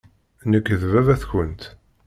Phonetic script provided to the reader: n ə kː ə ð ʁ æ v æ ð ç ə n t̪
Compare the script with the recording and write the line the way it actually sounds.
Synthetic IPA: n ə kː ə ð v æ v æ θ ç ə n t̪